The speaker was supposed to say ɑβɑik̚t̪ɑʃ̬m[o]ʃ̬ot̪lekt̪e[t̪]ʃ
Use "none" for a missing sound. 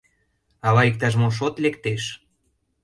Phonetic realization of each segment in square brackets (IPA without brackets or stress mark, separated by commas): o, none